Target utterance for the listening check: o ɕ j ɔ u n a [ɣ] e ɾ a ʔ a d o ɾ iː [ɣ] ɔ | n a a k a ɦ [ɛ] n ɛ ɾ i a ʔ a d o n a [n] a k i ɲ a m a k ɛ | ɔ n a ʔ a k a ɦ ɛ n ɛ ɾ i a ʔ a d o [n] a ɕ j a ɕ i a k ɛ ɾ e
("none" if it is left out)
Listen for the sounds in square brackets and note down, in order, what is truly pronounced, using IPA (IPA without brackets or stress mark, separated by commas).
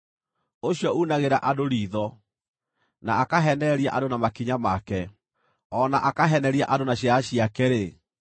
ɣ, ð, ɛ, m, n